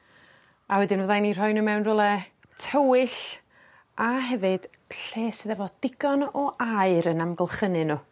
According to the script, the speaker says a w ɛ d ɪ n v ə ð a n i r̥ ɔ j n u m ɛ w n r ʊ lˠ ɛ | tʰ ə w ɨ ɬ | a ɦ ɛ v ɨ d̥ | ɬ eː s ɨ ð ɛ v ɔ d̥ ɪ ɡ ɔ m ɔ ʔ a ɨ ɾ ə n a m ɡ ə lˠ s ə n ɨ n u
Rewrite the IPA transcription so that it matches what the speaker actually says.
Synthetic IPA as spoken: a w ɛ d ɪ n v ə ð a n i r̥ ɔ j n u m ɛ w n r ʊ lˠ ɛ | tʰ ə w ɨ ɬ | a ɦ ɛ v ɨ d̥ | ɬ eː s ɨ ð ɛ v ɔ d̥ ɪ ɡ ɔ n ɔ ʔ a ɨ ɾ ə n a m ɡ ə lˠ χ ə n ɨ n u